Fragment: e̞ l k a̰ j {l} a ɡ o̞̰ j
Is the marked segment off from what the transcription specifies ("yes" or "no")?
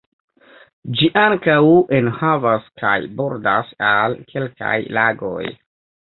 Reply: no